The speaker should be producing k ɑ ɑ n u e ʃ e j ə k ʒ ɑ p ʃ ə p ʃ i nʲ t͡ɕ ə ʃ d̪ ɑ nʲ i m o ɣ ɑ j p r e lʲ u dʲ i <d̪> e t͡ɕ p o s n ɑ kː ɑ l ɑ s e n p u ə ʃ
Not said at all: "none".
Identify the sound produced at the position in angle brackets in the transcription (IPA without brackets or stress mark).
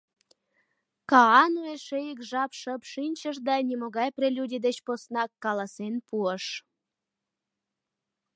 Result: d̪